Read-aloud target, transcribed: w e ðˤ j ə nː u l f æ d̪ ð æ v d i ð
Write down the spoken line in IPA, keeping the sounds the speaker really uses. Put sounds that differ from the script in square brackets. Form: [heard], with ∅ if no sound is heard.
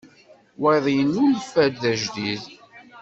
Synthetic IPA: w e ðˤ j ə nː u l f æ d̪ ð æ [ʒ] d i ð